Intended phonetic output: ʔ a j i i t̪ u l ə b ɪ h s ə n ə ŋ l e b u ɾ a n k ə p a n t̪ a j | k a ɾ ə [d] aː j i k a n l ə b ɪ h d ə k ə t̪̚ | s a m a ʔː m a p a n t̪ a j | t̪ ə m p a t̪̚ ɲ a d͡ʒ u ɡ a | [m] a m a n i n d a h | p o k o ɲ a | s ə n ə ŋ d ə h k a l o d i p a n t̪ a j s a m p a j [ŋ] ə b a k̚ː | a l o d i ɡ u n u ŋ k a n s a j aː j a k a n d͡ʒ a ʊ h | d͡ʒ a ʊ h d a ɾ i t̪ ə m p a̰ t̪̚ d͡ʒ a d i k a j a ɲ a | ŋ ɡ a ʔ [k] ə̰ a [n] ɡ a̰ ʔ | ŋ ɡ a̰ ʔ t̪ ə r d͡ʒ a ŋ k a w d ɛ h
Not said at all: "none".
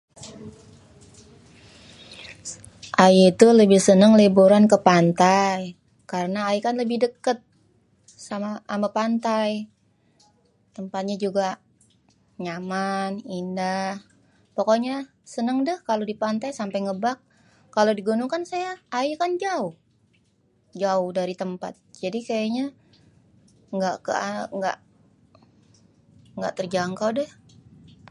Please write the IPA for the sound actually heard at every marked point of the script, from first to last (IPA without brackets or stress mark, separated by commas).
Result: n, ɲ, ŋ, k, ŋ